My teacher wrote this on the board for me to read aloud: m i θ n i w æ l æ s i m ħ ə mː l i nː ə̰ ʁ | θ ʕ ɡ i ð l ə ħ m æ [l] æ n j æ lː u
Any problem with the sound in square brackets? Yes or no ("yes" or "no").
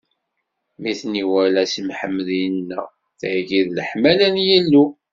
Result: no